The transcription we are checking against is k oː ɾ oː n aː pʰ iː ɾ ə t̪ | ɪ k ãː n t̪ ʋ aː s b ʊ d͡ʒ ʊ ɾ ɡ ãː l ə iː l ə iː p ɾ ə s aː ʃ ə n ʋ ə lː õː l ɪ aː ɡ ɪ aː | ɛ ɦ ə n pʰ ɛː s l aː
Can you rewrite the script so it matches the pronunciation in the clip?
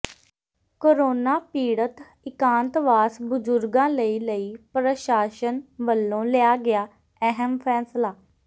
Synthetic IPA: k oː ɾ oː n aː p iː ɽ ə t̪ | ɪ k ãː n t̪ ʋ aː s b ʊ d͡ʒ ʊ ɾ ɡ ãː l ə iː l ə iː p ɾ ə ʃ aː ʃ ə n ʋ ə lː õː l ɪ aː ɡ ɪ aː | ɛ ɦ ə m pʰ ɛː s l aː